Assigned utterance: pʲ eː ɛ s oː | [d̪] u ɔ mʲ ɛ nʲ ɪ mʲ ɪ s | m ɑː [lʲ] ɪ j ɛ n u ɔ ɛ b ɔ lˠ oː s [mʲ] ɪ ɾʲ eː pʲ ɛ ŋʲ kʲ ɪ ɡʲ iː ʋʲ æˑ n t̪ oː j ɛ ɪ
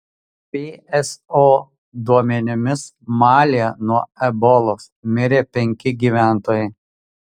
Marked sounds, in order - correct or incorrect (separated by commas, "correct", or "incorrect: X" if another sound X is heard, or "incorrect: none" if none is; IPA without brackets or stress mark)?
correct, correct, correct